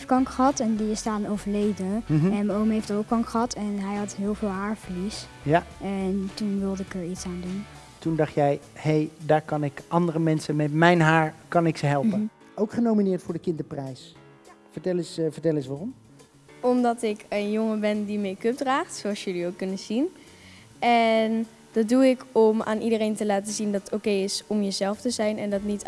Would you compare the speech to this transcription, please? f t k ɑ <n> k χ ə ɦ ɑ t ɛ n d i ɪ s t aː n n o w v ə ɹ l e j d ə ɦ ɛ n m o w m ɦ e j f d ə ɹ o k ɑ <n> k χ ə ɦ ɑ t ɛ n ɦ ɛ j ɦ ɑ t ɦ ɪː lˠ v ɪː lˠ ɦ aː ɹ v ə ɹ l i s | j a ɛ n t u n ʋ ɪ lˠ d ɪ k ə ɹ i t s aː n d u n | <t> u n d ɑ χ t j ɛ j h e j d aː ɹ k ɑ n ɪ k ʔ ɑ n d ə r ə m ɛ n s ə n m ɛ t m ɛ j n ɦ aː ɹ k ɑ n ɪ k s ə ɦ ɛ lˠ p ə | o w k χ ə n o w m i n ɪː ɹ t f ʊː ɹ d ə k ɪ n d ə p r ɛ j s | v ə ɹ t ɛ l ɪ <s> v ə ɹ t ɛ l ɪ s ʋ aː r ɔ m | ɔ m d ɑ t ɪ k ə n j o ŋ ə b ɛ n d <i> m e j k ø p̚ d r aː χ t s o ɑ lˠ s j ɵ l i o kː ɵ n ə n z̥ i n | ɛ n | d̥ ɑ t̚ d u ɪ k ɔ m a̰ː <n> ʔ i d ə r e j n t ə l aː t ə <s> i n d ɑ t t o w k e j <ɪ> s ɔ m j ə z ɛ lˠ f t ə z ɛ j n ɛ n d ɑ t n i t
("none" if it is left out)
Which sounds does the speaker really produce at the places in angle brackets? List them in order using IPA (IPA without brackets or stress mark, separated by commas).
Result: ŋ, ŋ, t, s, i, n, z, ɪ